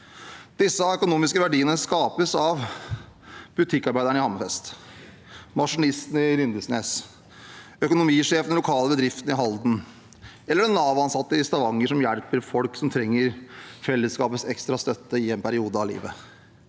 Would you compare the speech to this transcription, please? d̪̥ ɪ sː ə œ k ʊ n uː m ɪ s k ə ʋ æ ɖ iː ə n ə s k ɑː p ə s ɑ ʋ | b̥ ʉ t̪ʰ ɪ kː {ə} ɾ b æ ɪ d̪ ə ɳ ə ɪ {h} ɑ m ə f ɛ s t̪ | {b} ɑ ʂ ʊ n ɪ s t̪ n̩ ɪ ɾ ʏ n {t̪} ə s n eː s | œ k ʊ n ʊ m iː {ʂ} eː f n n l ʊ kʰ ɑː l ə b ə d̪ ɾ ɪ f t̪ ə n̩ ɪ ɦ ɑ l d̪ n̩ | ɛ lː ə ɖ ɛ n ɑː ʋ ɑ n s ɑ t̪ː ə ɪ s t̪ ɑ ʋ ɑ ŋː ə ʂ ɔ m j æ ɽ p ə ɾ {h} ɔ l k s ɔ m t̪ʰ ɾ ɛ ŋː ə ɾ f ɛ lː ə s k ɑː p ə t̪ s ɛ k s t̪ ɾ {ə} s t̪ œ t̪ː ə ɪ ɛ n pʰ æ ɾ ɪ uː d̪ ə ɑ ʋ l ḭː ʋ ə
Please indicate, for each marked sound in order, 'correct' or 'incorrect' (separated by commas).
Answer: incorrect, correct, incorrect, incorrect, correct, incorrect, incorrect